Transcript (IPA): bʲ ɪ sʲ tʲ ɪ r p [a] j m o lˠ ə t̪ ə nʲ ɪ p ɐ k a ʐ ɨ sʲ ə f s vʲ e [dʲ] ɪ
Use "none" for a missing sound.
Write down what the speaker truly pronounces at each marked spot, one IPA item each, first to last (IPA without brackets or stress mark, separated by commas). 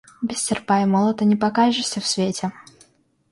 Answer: a, tʲ